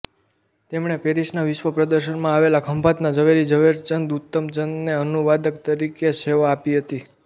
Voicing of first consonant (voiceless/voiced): voiceless